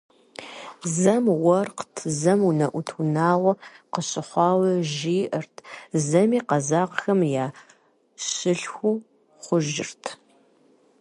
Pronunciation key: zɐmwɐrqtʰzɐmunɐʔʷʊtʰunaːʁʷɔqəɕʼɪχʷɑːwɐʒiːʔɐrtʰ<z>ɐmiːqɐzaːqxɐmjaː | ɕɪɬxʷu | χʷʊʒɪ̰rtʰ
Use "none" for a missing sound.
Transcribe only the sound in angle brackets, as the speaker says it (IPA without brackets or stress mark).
z